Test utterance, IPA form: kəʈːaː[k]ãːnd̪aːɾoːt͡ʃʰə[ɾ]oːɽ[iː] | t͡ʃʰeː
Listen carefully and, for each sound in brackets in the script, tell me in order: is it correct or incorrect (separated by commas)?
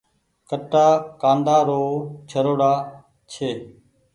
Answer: correct, correct, incorrect